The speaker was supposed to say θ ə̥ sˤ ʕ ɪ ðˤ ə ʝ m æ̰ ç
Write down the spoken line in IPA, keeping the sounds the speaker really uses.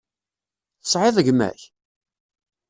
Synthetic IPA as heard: θ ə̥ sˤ ʕ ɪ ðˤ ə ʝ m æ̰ ç